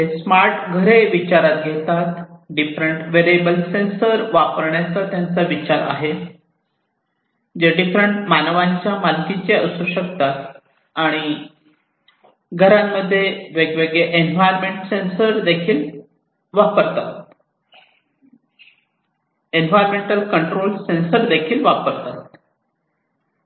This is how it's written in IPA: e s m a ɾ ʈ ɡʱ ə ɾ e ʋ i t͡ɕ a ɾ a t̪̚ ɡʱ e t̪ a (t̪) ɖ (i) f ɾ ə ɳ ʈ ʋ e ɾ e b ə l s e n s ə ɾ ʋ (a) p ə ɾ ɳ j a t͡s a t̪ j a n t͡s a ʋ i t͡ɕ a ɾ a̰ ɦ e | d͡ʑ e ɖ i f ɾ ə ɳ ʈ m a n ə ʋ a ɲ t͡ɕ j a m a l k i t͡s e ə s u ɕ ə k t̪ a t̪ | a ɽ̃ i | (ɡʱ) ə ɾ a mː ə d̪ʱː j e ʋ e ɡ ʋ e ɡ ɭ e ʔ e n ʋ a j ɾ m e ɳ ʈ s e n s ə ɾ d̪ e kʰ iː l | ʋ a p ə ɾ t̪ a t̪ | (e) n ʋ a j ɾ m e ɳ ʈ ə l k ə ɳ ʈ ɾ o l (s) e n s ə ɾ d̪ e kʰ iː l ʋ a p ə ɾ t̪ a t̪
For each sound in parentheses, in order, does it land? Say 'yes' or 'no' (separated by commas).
yes, yes, yes, yes, yes, yes